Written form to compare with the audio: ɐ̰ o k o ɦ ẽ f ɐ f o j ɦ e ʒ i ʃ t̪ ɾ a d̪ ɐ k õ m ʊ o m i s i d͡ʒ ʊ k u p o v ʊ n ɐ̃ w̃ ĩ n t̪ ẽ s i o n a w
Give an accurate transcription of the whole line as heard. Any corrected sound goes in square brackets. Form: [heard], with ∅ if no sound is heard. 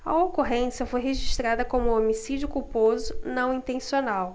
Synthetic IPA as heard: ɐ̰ o k o ɦ ẽ [s] ɐ f o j ɦ e ʒ i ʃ t̪ ɾ a d̪ ɐ k õ m ʊ o m i s i d͡ʒ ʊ k u p o [z] ʊ n ɐ̃ w̃ ĩ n t̪ ẽ s i o n a w